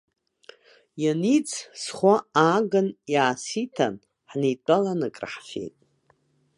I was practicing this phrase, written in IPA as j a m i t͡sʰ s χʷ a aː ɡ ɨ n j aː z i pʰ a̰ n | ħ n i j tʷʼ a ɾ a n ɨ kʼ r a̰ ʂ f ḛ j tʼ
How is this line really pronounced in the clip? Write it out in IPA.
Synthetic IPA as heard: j a n i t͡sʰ s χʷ a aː ɡ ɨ n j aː s i tʰ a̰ n | ħ n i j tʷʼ a l a n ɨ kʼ r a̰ ħ f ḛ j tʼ